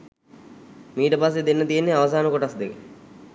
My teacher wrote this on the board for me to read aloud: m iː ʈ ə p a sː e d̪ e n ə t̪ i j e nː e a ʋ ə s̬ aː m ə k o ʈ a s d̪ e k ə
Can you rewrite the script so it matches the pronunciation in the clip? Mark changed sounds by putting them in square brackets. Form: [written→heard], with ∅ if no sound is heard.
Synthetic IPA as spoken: m iː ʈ ə p a sː e d̪ e [n→nː] ə t̪ i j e nː e a ʋ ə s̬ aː [m→n] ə k o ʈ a s d̪ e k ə